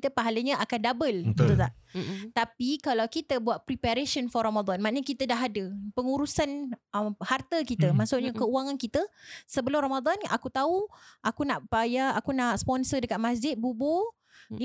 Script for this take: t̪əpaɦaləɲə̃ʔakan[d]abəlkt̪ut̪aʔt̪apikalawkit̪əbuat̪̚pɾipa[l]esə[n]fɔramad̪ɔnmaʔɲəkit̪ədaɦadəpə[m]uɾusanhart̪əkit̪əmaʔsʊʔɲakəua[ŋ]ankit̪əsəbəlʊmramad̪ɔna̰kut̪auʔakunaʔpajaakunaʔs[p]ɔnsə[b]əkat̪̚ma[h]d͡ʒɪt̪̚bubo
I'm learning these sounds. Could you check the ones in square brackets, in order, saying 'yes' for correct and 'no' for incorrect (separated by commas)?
yes, no, yes, no, yes, yes, no, no